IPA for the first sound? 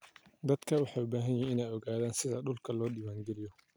d̪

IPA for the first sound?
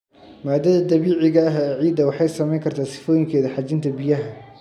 m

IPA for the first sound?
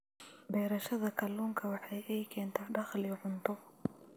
b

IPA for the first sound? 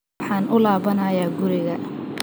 ħ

